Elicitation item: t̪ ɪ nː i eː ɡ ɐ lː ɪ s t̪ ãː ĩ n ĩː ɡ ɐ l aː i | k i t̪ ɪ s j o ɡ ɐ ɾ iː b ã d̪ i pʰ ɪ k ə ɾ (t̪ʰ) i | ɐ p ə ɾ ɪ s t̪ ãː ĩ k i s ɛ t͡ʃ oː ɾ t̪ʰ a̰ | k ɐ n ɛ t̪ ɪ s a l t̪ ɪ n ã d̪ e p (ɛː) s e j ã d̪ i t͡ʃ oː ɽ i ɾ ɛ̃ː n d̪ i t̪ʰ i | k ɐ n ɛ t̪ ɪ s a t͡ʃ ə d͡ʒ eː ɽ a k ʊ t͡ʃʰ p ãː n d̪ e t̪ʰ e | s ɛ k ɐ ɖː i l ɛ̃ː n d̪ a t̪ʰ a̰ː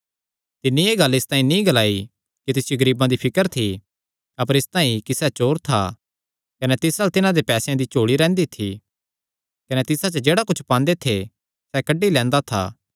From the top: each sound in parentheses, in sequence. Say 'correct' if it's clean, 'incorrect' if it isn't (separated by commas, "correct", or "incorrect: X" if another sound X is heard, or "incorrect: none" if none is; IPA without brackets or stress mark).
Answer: correct, correct